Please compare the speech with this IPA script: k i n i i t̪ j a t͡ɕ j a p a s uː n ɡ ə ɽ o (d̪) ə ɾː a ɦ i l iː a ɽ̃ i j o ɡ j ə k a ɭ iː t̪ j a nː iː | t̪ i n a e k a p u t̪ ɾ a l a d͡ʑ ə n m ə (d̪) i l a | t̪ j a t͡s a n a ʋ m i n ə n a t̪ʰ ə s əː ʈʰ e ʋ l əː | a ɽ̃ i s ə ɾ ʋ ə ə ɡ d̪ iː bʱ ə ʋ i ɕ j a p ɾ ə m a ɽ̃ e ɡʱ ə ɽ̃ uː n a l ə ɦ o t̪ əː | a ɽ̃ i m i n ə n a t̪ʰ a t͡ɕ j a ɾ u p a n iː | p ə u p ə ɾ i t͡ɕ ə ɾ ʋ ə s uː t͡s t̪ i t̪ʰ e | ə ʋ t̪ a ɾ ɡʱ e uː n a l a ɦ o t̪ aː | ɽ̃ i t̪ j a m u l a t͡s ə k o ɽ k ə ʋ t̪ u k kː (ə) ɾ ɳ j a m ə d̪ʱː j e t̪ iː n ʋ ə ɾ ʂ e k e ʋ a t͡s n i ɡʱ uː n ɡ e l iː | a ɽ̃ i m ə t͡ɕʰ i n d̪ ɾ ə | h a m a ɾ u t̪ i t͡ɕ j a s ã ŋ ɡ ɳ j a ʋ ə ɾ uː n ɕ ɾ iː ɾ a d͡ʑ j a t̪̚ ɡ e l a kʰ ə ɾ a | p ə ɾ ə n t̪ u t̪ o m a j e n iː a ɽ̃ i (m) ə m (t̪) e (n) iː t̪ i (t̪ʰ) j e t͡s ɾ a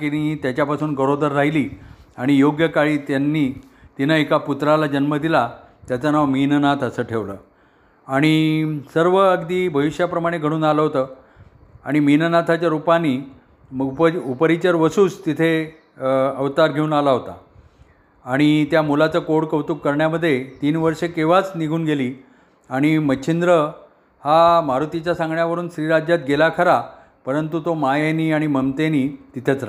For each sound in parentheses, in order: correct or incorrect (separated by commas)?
correct, correct, correct, correct, correct, correct, correct